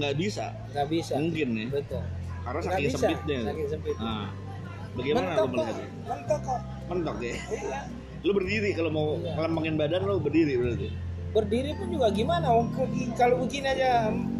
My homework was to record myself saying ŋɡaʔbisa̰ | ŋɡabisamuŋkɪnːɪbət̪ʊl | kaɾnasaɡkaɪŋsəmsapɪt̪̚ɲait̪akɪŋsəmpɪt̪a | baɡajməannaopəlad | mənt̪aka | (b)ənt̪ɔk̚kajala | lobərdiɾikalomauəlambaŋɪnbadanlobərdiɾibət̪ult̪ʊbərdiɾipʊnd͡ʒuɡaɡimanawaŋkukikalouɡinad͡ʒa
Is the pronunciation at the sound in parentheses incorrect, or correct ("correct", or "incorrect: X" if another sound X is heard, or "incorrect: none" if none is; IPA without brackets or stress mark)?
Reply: incorrect: m